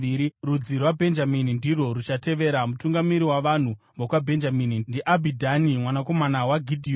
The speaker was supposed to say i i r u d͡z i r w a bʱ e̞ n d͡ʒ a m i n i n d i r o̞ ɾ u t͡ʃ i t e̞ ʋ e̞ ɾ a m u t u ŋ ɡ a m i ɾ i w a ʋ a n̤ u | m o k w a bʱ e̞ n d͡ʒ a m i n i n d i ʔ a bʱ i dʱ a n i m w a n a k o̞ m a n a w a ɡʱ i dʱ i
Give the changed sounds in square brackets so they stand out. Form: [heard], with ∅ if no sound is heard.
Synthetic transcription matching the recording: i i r u d͡z i r w a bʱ e̞ n d͡ʒ a m i n i n d i r o̞ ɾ u t͡ʃ [a] t e̞ ʋ e̞ ɾ a m u t u ŋ ɡ a m i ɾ i w a ʋ a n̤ u | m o k w a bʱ e̞ n d͡ʒ a m i n i n d i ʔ a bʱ i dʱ a n i m w a n a k o̞ m a n a w a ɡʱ i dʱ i